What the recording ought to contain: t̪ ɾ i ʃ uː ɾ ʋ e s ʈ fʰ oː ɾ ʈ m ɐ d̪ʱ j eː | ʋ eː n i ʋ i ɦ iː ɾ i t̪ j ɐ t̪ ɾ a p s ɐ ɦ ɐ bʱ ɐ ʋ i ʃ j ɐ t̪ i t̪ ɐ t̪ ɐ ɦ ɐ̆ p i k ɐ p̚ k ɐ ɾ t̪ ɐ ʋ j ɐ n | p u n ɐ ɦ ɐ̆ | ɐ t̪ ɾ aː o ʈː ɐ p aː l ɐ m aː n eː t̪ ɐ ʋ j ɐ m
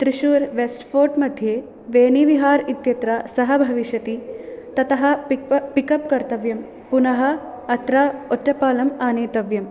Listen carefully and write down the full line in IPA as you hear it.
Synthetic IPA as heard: t̪ ɾ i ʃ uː ɾ ʋ e s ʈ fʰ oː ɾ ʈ m ɐ d̪ʱ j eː | ʋ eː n i ʋ i ɦ aː ɾ i t̪ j ɐ t̪ ɾ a s ɐ ɦ ɐ bʱ ɐ ʋ i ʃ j ɐ t̪ i t̪ ɐ t̪ ɐ ɦ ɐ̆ p i k ɐ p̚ k ɐ ɾ t̪ ɐ ʋ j ɐ m | p u n ɐ ɦ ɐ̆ | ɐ t̪ ɾ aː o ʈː ɐ p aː l ɐ m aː n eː t̪ ɐ ʋ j ɐ m

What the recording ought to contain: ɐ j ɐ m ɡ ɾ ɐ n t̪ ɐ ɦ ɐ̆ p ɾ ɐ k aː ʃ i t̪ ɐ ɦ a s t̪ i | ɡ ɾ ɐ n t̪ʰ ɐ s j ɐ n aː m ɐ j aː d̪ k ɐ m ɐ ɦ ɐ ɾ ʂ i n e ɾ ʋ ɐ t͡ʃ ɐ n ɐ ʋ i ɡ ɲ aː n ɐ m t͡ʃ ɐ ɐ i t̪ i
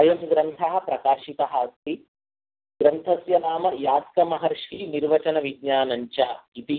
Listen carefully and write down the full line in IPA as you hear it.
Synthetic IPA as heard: ɐ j ɐ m ɡ ɾ ɐ n t̪ʰ ɐ ɦ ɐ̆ p ɾ ɐ k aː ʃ i t̪ ɐ ɦ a s t̪ i | ɡ ɾ ɐ n t̪ʰ ɐ s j ɐ n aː m ɐ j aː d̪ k ɐ m ɐ ɦ ɐ ɾ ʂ i n i ɾ ʋ ɐ t͡ʃ ɐ n ɐ ʋ i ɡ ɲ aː n ɐ ɲ t͡ʃ ɐ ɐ i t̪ i

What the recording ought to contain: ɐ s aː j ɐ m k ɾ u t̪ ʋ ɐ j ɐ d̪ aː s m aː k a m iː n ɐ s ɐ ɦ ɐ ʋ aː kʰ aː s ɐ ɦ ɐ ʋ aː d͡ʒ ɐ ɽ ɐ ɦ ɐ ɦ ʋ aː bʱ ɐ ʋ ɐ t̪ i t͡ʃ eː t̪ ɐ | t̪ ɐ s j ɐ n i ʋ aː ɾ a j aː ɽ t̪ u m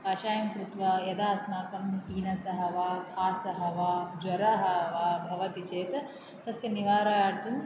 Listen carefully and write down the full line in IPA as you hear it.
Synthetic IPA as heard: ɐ ʃ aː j ɐ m k ɾ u t̪ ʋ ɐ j ɐ d̪ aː s m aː k ɐ m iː n ɐ s ɐ ɦ ɐ ʋ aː kʰ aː s ɐ ɦ ɐ ʋ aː d͡ʒ ɐ ɾ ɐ ɦ ɐ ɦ ʋ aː bʱ ɐ ʋ ɐ t̪ i t͡ʃ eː t̪ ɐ | t̪ ɐ s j ɐ n i ʋ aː ɾ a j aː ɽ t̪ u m

